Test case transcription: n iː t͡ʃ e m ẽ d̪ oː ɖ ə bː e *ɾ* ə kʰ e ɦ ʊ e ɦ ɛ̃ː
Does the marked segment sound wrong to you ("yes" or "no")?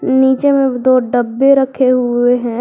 no